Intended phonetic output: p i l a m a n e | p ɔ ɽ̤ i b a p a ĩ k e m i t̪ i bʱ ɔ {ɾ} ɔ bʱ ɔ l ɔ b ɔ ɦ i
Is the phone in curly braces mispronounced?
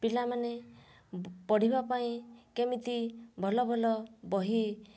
yes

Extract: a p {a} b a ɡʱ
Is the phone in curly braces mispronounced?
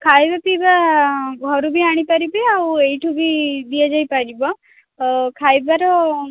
yes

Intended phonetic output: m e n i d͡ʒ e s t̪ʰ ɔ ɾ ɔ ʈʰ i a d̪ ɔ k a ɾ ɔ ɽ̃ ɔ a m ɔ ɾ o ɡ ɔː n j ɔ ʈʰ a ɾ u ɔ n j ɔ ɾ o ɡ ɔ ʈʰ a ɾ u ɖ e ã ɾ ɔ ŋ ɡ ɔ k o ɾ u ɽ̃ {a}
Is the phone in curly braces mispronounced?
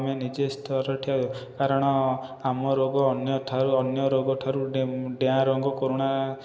no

